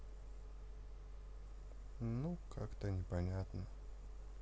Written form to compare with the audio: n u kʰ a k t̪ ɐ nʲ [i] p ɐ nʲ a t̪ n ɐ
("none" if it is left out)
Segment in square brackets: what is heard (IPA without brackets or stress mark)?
ɛ